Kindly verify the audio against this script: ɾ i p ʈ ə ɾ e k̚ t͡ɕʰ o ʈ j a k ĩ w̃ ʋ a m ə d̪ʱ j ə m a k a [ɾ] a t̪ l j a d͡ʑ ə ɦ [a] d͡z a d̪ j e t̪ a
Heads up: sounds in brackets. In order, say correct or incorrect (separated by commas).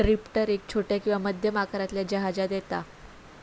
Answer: correct, correct